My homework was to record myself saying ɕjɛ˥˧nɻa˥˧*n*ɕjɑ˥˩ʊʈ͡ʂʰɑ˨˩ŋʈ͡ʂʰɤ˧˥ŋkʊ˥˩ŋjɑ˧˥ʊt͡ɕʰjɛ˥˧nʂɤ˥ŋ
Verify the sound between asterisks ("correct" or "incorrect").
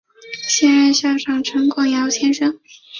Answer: correct